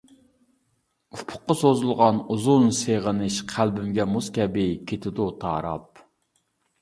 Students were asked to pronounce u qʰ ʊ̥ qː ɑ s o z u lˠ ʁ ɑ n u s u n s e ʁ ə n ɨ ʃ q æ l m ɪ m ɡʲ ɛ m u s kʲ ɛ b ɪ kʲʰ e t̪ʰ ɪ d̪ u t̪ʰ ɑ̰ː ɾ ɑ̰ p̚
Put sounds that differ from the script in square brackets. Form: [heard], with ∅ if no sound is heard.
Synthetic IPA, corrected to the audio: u [pʰ] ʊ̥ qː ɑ s o z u lˠ ʁ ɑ n u [z] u n s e ʁ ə n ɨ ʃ [qʰ] æ l [b] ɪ m ɡʲ ɛ m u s kʲ ɛ b ɪ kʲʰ e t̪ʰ ɪ d̪ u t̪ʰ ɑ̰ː ɾ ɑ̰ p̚